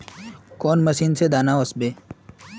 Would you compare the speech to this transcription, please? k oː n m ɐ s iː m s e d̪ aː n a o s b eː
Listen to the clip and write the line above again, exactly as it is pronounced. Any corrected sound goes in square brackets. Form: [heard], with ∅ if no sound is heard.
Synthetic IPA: k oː n m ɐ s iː [n] s e d̪ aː n a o s b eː